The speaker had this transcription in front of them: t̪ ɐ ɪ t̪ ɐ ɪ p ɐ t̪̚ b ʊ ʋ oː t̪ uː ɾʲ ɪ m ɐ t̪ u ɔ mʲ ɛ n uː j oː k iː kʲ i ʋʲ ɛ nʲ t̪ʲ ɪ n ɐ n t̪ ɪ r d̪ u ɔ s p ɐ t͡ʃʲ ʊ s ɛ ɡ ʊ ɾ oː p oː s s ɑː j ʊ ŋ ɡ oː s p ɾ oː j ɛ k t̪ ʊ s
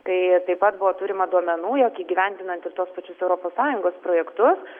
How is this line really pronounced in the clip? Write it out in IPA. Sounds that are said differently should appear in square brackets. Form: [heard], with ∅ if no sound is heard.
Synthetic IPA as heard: t̪ ɐ ɪ t̪ ɐ ɪ p ɐ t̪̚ b ʊ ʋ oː t̪ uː ɾʲ ɪ m ɐ [d̪] u ɔ mʲ ɛ n uː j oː k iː [ɡʲ] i ʋʲ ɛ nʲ [d̪ʲ] ɪ n ɐ n t̪ ɪ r [t̪] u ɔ s p ɐ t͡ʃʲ ʊ s ɛ [∅] ʊ ɾ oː p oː s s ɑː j ʊ ŋ ɡ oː s p ɾ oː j ɛ k t̪ ʊ s